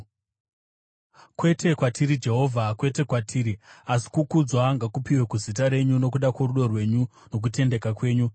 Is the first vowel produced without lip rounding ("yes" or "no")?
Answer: yes